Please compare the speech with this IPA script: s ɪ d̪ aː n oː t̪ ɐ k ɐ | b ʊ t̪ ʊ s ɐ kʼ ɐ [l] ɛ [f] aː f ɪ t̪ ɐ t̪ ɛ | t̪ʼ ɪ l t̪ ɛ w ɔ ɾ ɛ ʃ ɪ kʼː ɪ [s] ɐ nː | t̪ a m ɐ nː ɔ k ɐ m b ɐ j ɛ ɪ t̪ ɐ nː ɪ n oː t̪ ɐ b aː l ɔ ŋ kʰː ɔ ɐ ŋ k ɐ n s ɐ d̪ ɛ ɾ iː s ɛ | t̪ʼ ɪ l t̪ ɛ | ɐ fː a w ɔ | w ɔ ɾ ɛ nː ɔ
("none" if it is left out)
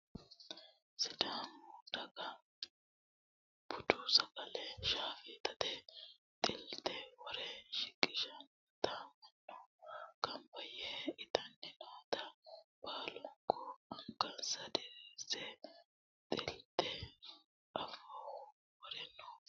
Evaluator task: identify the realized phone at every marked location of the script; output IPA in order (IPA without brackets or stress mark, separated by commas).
l, ʃ, ʃ